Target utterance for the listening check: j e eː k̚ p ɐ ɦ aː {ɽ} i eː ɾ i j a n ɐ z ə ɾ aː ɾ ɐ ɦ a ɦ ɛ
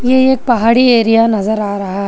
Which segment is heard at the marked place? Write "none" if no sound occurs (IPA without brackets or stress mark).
ɽ